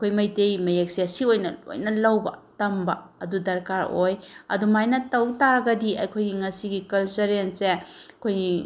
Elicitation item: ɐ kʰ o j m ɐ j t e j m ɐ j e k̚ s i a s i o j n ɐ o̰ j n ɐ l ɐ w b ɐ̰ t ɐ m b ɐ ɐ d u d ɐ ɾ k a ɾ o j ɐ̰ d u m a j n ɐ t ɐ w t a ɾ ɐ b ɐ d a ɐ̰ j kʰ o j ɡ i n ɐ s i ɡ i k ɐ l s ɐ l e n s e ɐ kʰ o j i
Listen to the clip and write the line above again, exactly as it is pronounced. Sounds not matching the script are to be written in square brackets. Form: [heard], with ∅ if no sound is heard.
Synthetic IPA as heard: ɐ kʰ o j m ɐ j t e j m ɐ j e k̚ s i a s i o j n ɐ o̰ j n ɐ l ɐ w b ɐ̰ t ɐ m b ɐ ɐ d u d ɐ ɾ k a ɾ o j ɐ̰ d u m a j n ɐ t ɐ w t a ɾ ɐ [ɡ] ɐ d [i] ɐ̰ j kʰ o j ɡ i [ŋ] ɐ s i ɡ i k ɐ l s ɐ [ɾ] e n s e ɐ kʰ o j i